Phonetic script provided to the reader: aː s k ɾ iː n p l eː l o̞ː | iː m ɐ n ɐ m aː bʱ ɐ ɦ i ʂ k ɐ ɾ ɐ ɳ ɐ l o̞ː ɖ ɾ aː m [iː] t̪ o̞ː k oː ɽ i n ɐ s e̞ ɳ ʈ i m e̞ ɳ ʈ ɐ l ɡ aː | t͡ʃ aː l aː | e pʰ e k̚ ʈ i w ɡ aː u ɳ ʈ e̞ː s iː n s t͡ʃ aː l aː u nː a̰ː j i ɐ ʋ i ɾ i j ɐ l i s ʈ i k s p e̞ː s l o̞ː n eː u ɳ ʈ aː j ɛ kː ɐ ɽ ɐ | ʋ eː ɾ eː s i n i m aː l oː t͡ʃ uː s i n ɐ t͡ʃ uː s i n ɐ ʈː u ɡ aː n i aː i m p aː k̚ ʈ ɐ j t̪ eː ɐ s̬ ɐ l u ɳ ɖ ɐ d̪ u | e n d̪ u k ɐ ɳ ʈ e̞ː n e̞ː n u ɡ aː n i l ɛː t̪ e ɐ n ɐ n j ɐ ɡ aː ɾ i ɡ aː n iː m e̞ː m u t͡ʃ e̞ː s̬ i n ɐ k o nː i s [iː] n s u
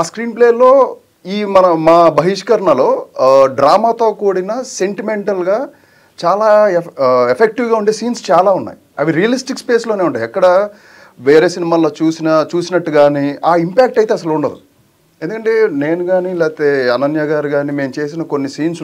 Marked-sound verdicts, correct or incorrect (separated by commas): incorrect, correct